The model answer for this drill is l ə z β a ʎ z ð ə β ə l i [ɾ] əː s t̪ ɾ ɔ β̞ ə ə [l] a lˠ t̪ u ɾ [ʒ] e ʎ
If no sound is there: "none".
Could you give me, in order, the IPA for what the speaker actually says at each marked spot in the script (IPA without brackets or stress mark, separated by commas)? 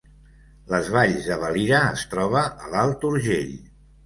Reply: ɾ, l, ʒ